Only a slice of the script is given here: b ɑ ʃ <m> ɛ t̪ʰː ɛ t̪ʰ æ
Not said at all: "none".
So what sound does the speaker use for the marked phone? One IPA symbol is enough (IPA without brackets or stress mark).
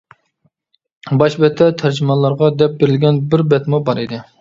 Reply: b